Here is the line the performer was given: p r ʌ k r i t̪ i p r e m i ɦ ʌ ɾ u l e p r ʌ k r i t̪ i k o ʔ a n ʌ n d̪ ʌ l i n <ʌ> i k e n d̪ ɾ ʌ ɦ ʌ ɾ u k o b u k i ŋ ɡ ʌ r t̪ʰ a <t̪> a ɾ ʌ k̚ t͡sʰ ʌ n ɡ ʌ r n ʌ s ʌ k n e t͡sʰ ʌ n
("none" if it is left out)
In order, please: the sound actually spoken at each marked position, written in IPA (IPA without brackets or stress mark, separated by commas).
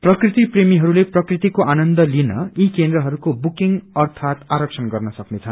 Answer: ʌ, t̪